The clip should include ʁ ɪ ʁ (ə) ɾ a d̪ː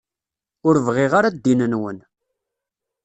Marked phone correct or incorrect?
incorrect: a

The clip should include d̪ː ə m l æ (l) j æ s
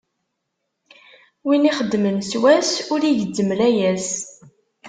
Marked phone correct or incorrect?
incorrect: none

